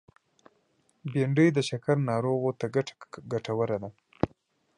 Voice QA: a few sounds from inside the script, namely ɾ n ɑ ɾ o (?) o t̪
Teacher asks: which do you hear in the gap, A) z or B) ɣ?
B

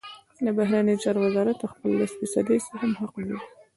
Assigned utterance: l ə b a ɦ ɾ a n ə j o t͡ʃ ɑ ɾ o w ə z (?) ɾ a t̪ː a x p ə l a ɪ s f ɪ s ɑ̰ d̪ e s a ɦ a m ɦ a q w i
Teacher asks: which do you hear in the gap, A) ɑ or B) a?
A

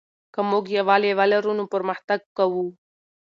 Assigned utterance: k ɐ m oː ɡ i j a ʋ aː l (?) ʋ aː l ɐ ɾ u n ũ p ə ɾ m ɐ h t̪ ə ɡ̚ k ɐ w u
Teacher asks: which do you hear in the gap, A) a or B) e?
B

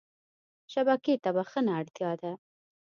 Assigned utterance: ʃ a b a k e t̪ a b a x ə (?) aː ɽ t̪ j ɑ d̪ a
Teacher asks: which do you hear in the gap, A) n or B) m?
A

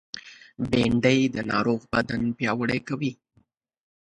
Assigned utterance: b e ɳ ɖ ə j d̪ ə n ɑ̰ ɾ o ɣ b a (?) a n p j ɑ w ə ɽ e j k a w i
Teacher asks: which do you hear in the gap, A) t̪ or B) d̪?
B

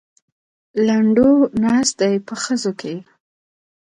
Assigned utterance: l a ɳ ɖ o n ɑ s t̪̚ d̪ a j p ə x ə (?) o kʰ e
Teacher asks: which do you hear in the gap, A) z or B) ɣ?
A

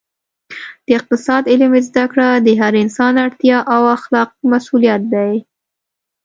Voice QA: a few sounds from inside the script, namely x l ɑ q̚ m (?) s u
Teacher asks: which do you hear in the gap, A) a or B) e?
A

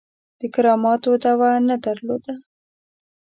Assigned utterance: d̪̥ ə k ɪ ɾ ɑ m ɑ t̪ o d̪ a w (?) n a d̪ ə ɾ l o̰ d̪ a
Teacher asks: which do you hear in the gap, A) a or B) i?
A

